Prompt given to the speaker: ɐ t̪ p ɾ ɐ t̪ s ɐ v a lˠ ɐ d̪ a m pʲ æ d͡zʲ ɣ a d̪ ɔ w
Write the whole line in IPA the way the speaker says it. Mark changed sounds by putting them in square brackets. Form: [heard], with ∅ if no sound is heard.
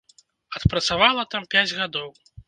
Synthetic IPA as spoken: ɐ t̪ p ɾ ɐ t̪ s [a] v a lˠ ɐ [t̪] a m pʲ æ d͡zʲ ɣ a d̪ ɔ w

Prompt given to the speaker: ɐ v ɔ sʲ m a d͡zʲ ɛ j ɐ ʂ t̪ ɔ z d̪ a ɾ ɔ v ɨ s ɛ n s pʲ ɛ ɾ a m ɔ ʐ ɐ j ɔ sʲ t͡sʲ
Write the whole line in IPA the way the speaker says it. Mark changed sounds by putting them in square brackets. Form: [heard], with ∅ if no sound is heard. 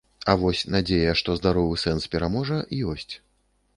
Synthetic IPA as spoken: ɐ v ɔ sʲ [n] a d͡zʲ [e] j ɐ ʂ t̪ ɔ z d̪ a ɾ ɔ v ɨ s ɛ n s pʲ ɛ ɾ a m ɔ ʐ ɐ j ɔ sʲ t͡sʲ

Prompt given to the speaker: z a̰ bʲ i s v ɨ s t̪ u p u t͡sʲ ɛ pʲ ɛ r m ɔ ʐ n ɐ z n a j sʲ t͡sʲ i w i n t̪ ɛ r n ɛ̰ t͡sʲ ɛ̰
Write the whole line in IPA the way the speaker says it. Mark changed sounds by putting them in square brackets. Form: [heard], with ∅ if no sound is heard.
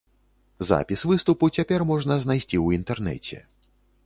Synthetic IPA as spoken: z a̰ [pʲ] i s v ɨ s t̪ u p u t͡sʲ [a] pʲ ɛ r m ɔ ʐ n ɐ z n a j sʲ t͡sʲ i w i n t̪ ɛ r n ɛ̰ t͡sʲ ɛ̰

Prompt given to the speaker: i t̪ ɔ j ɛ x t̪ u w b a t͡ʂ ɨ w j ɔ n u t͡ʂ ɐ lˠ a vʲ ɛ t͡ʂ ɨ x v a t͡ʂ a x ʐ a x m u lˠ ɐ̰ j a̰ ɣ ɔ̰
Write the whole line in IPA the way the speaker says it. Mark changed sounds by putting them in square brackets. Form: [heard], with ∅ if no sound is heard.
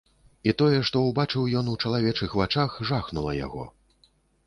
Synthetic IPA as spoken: i t̪ ɔ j ɛ [ʂ] t̪ [ɔ] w b a t͡ʂ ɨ w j ɔ n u t͡ʂ ɐ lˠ a vʲ ɛ t͡ʂ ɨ x v a t͡ʂ a x ʐ a x [n] u lˠ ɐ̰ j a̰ ɣ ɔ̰

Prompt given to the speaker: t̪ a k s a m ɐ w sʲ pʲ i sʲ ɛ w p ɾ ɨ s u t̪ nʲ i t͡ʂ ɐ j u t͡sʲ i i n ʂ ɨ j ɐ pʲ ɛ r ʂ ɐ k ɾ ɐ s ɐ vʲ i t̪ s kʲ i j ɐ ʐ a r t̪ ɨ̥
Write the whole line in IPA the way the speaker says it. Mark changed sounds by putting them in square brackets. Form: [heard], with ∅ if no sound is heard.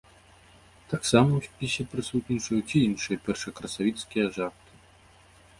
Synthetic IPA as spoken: t̪ a k s a m ɐ w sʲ pʲ i sʲ ɛ [∅] p ɾ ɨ s u t̪ nʲ i t͡ʂ ɐ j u t͡sʲ i i n ʂ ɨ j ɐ pʲ ɛ r ʂ ɐ k ɾ ɐ s [a] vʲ i t̪ s kʲ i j ɐ ʐ a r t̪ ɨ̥

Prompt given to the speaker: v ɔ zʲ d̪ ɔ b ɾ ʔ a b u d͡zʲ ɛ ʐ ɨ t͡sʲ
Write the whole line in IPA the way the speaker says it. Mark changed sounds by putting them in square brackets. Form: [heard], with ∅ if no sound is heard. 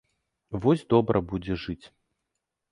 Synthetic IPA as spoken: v ɔ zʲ d̪ ɔ b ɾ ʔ [ɐ] b u d͡zʲ ɛ ʐ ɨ t͡sʲ

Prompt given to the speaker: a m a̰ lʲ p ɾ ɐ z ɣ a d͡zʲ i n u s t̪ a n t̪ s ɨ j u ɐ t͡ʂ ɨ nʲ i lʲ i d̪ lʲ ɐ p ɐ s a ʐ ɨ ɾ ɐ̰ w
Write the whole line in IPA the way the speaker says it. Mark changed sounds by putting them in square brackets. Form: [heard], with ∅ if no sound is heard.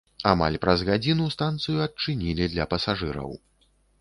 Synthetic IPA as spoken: a m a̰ lʲ p ɾ ɐ z ɣ a d͡zʲ i n u s t̪ a n t̪ s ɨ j u ɐ t͡ʂ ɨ nʲ i lʲ i d̪ lʲ ɐ p ɐ s a ʐ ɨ ɾ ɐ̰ w

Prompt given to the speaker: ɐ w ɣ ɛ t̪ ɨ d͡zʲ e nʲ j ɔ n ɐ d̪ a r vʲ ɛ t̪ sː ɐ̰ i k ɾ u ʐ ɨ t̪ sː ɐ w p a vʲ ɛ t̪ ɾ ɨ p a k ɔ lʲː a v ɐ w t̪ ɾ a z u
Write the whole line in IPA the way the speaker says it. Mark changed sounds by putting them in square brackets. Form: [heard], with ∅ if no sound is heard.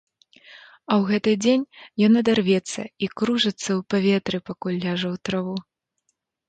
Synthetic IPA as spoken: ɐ w ɣ ɛ t̪ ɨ d͡zʲ e nʲ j ɔ n ɐ d̪ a r vʲ ɛ t̪ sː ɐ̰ i k ɾ u ʐ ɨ t̪ sː ɐ w p a vʲ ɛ t̪ ɾ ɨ p a k [u] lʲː a [ʐ] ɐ w t̪ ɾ a [v] u

